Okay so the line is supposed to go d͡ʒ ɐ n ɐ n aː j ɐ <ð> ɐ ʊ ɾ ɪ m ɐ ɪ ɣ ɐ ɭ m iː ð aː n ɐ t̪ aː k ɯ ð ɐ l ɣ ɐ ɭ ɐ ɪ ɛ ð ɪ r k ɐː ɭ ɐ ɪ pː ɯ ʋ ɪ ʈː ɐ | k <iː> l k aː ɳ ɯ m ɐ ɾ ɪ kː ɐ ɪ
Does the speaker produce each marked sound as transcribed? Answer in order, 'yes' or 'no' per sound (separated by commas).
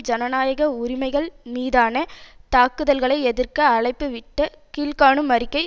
no, yes